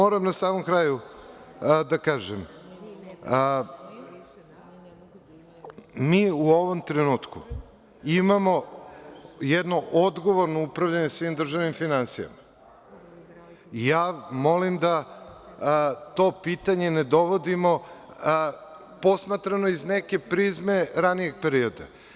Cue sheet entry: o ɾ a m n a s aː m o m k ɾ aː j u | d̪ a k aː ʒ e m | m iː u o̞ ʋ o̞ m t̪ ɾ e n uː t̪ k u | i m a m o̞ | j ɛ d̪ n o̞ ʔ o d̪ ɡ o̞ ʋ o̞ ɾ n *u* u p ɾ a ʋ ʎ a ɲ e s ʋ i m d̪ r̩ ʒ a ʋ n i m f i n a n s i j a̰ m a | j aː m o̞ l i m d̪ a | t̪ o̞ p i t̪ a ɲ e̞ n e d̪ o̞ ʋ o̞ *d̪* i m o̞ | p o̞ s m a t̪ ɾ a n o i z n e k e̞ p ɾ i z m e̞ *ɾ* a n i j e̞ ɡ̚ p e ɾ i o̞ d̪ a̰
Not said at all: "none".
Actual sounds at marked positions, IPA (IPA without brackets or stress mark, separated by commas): o, d̪, ɾ